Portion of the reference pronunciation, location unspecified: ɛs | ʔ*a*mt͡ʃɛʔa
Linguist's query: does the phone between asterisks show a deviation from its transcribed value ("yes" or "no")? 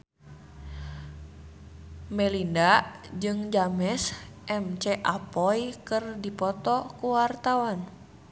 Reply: yes